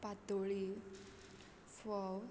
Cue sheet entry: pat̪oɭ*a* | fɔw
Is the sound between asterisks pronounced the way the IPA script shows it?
no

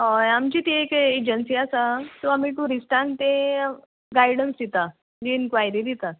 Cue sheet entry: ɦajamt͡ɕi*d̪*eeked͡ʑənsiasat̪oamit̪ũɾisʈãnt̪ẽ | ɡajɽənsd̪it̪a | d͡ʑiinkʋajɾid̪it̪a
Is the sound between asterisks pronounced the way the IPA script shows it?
no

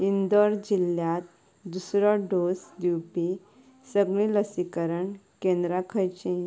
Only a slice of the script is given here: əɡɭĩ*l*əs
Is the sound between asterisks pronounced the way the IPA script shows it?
yes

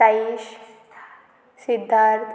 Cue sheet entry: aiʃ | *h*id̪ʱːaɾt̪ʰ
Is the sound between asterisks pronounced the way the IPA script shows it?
no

